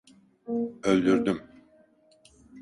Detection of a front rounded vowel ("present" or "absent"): present